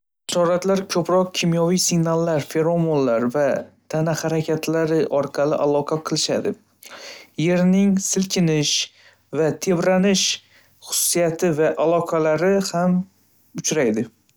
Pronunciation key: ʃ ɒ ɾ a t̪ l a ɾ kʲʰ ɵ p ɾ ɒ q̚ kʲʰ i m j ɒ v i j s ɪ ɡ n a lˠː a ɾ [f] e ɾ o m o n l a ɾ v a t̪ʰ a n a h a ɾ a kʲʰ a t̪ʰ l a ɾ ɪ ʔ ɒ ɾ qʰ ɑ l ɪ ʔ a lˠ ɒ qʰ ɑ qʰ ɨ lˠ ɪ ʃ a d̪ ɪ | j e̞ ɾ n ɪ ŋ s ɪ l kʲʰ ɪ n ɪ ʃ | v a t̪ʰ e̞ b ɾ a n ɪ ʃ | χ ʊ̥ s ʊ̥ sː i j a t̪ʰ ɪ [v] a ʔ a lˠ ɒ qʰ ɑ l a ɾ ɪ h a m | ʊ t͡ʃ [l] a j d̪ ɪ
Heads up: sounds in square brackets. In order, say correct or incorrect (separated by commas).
correct, correct, incorrect